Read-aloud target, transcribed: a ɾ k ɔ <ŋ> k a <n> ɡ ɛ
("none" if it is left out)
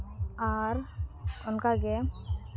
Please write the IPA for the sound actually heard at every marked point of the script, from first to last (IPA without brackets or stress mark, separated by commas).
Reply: n, none